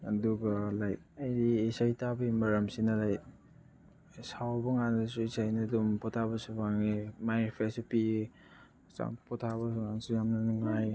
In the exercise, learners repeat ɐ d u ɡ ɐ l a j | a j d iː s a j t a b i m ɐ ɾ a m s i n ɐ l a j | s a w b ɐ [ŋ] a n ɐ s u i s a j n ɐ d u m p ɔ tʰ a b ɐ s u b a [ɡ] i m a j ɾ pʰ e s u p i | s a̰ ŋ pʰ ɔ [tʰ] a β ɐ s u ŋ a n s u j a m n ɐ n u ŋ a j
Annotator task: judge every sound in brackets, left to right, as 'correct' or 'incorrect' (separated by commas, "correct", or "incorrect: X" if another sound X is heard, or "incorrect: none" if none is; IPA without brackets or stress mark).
correct, incorrect: ŋ, correct